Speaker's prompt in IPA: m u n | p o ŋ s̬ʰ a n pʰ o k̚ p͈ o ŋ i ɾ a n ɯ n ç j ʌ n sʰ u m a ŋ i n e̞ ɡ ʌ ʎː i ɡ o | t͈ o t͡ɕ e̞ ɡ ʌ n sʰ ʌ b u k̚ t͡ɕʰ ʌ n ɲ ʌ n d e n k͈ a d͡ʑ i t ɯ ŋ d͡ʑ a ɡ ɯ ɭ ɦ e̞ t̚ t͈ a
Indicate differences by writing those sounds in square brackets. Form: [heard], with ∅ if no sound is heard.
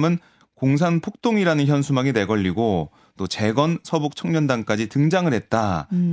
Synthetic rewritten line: m [ɯ] n | [k] o ŋ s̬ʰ a n pʰ o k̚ [t͈] o ŋ i ɾ a n ɯ n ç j ʌ n sʰ u m a ŋ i n e̞ ɡ ʌ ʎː i ɡ o | t͈ o t͡ɕ e̞ ɡ ʌ n sʰ ʌ b u k̚ t͡ɕʰ ʌ [ŋ] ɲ ʌ n d [a] n k͈ a d͡ʑ i t ɯ ŋ d͡ʑ a [ŋ] ɯ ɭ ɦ e̞ t̚ t͈ a